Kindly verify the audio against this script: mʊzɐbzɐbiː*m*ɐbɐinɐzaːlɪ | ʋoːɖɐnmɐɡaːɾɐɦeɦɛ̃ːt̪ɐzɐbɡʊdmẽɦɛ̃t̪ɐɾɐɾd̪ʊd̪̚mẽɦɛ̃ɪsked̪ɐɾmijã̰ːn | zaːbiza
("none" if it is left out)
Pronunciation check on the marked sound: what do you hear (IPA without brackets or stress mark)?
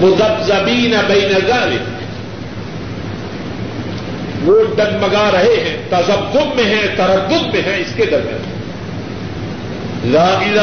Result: n